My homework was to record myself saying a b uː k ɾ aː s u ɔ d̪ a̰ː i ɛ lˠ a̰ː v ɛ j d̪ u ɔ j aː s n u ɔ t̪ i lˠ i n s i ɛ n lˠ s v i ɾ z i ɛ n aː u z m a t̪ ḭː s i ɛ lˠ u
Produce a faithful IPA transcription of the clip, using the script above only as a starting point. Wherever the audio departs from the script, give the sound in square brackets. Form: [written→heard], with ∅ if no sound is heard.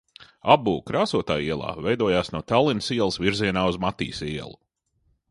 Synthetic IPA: a b uː k ɾ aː s u ɔ [d̪→t̪] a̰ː i ɛ lˠ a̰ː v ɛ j d̪ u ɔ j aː s n u ɔ t̪ [i→a] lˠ i n s i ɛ [n→∅] lˠ s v i ɾ z i ɛ n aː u z m a t̪ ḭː s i ɛ lˠ u